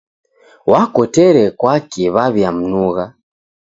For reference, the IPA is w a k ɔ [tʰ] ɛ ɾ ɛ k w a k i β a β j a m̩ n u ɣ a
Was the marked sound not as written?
yes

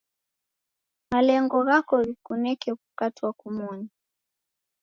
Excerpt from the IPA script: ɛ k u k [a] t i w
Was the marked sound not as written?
no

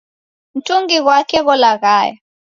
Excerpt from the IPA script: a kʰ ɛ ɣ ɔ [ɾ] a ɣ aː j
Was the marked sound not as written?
yes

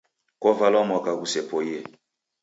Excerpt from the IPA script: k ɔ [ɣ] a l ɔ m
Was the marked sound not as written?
yes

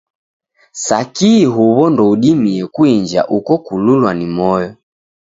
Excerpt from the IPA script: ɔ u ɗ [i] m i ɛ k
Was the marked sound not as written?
no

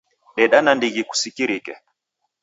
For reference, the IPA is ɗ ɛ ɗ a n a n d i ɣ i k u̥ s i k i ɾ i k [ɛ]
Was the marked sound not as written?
no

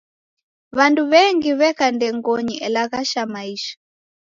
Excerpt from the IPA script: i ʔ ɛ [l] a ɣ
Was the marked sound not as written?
no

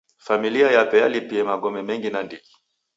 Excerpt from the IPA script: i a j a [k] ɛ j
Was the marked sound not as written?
yes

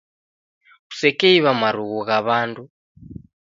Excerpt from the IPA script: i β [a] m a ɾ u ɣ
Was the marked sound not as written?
no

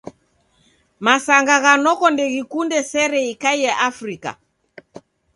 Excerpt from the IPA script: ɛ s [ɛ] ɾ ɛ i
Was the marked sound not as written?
no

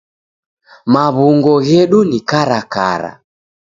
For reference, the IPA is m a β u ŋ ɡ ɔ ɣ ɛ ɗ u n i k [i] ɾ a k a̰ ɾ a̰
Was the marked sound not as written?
yes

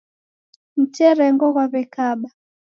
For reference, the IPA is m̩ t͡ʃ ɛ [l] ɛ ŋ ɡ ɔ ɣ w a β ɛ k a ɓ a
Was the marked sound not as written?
yes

